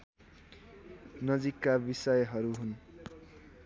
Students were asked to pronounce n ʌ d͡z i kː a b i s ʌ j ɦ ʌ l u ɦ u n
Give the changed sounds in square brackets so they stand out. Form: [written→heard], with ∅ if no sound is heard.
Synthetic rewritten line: n ʌ d͡z i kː a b i s ʌ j ɦ ʌ [l→ɾ] u ɦ u n

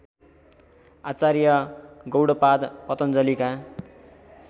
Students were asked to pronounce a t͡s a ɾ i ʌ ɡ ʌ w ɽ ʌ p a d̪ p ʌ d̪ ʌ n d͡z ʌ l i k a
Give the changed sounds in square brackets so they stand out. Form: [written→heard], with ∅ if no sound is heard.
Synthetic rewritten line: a t͡s a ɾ [i→j] ʌ ɡ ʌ w ɽ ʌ p a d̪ p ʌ [d̪→t̪] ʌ n d͡z ʌ l i k a

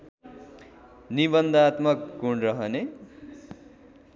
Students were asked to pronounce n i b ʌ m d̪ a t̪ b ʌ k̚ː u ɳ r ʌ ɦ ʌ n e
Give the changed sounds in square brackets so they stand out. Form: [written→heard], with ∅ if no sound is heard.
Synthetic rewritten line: n i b ʌ [m→n] d̪ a t̪ [b→m] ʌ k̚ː u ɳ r ʌ ɦ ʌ n e

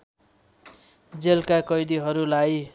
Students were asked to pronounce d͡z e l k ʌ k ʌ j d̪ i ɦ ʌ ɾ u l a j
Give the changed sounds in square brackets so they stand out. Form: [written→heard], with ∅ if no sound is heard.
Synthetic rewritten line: d͡z e l k [ʌ→a] k ʌ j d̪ i ɦ ʌ ɾ u l a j

